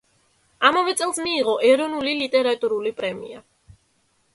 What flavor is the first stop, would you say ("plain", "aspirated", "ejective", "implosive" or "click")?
plain